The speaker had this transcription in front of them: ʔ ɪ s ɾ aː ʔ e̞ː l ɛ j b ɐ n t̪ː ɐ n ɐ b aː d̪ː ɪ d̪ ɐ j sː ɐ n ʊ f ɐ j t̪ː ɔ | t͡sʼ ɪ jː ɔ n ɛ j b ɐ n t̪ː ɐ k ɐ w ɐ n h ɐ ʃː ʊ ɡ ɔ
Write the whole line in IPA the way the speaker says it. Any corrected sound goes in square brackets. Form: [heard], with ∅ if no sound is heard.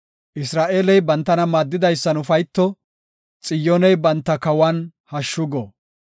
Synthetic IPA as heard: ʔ ɪ s ɾ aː ʔ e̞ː l ɛ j b ɐ n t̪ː ɐ n ɐ [m] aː d̪ː ɪ d̪ ɐ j sː ɐ n ʊ f ɐ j t̪ː ɔ | t͡sʼ ɪ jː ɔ n ɛ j b ɐ n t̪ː ɐ k ɐ w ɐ n h ɐ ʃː ʊ ɡ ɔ